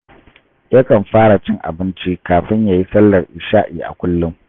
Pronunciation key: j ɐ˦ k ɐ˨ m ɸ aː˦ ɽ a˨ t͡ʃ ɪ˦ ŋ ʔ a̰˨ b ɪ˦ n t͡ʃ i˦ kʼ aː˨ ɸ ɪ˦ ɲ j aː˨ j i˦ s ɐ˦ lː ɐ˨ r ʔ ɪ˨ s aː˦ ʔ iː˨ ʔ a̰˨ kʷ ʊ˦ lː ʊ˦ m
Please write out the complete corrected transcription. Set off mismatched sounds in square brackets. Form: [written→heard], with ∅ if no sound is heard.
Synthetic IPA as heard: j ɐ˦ k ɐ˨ m ɸ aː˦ ɽ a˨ t͡ʃ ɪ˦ ŋ ʔ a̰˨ b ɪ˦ n t͡ʃ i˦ [kʼ→k] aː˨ ɸ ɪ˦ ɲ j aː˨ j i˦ s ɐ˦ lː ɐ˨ r ʔ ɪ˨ [s→ʃ] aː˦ ʔ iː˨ ʔ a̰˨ kʷ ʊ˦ lː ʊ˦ m

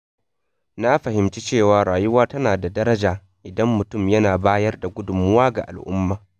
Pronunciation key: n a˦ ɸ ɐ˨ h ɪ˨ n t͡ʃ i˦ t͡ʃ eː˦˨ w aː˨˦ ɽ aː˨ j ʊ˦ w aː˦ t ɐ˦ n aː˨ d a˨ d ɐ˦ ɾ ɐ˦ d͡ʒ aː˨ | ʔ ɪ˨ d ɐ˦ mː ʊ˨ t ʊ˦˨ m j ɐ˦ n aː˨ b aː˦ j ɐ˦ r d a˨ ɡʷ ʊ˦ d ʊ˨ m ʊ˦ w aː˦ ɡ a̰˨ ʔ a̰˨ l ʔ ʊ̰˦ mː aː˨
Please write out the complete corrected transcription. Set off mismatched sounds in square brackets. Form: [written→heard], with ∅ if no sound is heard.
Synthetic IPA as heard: n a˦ ɸ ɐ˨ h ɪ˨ [n→m] t͡ʃ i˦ t͡ʃ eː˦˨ w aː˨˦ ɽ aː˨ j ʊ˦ w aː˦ t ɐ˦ n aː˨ d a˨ d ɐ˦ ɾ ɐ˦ d͡ʒ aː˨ | ʔ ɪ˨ d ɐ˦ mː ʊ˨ t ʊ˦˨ m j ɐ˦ n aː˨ b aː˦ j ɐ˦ r d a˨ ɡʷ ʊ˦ d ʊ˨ m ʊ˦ w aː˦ ɡ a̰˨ ʔ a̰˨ l ʔ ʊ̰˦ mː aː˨

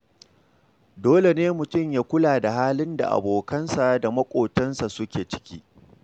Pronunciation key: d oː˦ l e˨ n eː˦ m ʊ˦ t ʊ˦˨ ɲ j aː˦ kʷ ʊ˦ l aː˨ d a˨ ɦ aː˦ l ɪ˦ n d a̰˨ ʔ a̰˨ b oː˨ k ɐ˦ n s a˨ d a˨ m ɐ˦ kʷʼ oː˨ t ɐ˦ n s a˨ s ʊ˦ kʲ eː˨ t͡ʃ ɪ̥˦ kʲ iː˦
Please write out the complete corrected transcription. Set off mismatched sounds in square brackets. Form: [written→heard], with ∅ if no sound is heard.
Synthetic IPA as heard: d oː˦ l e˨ n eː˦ m [ʊ˦→ʊ˨] t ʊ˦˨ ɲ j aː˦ kʷ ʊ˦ l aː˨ d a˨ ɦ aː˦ l ɪ˦ n d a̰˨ ʔ a̰˨ b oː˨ k ɐ˦ n s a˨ d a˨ m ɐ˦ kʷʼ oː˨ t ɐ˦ n s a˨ s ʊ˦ kʲ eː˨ t͡ʃ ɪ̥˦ kʲ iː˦

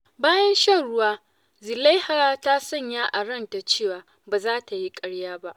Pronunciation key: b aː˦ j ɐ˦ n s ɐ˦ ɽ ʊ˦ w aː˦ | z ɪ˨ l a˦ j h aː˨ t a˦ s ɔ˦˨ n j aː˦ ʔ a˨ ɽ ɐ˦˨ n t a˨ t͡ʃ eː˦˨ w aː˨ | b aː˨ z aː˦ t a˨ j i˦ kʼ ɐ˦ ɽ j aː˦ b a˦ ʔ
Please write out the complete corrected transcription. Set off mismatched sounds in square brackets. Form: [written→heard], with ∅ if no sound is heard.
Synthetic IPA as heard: b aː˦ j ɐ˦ n [s→ʃ] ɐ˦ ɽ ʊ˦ w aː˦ | z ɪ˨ l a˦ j h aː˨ t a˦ s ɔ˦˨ [n→ɲ] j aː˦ ʔ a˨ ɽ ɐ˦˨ n t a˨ t͡ʃ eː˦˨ w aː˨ | b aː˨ z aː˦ t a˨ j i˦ kʼ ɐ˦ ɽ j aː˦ b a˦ ʔ

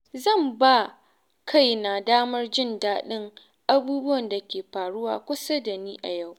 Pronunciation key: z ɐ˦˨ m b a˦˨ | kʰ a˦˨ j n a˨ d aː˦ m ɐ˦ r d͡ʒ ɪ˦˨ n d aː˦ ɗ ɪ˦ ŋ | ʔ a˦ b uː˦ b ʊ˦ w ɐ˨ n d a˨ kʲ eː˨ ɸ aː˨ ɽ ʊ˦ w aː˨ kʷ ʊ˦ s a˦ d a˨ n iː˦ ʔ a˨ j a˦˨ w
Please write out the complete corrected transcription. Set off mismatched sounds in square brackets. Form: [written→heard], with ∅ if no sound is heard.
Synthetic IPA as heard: z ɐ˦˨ m b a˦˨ | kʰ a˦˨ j n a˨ d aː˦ m ɐ˦ r d͡ʒ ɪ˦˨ n d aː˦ ɗ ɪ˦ ŋ | ʔ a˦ b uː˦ b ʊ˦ w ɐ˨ n d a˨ kʲ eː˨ ɸ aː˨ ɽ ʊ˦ w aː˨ kʷ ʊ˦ s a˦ d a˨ n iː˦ ʔ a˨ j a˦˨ w

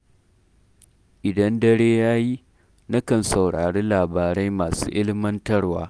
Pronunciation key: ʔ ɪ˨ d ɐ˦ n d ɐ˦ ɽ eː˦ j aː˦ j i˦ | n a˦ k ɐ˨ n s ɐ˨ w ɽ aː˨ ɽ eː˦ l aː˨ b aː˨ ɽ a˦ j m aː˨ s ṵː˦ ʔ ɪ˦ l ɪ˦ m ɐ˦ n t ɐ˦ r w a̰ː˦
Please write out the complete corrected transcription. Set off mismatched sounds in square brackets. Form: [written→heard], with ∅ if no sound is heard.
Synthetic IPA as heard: ʔ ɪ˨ d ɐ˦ n d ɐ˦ ɽ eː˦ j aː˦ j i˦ | n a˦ k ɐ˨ n s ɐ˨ w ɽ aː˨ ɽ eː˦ l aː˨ b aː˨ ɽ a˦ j m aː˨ s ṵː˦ ʔ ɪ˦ l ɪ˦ m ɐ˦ n t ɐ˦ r w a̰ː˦

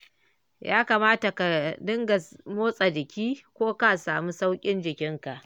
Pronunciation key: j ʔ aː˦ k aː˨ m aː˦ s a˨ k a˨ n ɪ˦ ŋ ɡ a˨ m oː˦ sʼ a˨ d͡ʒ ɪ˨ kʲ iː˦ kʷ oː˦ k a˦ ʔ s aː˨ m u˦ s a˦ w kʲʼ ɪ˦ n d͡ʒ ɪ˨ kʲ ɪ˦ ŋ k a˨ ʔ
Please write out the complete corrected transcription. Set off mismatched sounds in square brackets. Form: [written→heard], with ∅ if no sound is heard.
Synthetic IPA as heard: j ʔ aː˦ k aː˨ m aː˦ [s→t] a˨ k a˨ [n→d] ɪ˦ ŋ ɡ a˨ m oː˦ sʼ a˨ d͡ʒ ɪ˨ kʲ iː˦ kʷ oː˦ k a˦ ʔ s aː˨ m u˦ s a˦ w kʲʼ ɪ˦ n d͡ʒ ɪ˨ kʲ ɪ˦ ŋ k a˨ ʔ

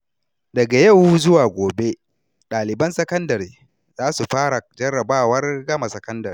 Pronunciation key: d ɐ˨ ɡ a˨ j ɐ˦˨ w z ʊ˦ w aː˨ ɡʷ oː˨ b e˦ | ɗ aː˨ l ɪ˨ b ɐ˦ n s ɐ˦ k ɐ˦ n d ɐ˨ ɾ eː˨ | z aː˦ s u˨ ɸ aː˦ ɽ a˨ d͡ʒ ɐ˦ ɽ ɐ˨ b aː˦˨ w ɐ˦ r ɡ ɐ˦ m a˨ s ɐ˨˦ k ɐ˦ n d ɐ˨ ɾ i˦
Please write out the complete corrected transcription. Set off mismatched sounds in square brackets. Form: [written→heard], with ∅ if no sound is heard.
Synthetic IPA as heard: d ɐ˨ ɡ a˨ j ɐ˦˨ w z ʊ˦ w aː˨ ɡʷ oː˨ b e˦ | ɗ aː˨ l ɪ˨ b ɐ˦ n s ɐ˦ k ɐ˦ n d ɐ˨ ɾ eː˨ | z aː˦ s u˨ ɸ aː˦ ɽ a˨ d͡ʒ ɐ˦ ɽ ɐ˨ b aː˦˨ w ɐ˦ r ɡ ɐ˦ m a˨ s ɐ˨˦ k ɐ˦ n d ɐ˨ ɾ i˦

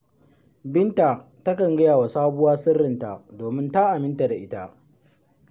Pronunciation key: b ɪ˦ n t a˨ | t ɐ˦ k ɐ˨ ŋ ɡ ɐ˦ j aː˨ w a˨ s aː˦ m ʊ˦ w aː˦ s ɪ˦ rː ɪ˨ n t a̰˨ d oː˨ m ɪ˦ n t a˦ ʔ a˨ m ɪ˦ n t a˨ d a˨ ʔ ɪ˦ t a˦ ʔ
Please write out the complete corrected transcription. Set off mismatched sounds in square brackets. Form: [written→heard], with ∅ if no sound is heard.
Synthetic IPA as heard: b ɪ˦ n t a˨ | t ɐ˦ k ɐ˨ ŋ ɡ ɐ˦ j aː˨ w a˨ s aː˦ [m→b] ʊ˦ w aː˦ s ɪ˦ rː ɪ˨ n t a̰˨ d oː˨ m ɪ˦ n t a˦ ʔ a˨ m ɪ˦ n t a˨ d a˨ ʔ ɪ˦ t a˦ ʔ

